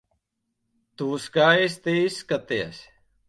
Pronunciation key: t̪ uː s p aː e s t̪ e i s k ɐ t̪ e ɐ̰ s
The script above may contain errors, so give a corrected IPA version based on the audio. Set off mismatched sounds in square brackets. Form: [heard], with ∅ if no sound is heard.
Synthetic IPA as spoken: t̪ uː s [k] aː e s t̪ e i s k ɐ t̪ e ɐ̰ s